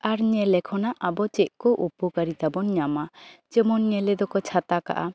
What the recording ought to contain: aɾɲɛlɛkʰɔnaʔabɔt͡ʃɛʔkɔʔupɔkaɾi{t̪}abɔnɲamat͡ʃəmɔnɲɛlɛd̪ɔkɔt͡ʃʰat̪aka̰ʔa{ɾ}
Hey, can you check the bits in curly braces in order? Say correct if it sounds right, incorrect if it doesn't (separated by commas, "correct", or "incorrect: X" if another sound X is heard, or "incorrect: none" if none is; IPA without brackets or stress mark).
correct, incorrect: none